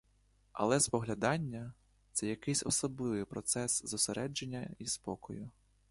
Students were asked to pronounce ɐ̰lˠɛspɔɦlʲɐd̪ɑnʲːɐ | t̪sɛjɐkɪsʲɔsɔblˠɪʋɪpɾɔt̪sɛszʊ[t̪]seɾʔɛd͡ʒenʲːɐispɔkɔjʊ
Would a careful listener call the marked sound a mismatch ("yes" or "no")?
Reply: yes